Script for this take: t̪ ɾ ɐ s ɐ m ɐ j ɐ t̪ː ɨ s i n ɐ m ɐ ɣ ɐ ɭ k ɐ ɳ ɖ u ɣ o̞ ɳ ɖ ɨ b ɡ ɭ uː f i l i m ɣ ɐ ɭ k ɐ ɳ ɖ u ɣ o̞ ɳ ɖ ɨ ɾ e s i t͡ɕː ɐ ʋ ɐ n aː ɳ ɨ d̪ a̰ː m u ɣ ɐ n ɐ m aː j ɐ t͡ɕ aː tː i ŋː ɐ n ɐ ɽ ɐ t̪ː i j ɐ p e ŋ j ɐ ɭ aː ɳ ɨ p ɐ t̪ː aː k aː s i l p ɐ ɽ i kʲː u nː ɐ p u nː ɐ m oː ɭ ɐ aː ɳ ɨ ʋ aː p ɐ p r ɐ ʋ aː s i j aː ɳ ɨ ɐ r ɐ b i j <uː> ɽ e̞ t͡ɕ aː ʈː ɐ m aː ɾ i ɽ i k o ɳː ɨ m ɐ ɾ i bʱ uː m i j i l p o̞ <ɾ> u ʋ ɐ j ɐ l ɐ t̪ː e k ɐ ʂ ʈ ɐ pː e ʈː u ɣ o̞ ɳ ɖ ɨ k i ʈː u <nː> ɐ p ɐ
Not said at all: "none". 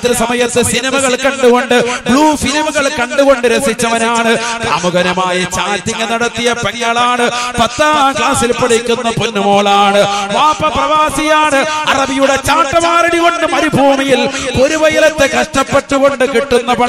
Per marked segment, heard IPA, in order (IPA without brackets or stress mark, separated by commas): u, ɾ, nː